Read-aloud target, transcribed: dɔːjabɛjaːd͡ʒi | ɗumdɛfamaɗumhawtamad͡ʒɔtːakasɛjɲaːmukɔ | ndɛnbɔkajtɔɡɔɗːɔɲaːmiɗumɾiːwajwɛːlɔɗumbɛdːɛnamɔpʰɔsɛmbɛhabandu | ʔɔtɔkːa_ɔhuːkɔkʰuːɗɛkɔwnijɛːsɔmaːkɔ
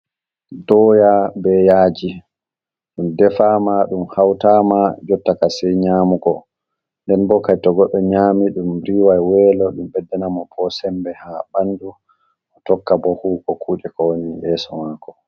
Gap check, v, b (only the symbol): b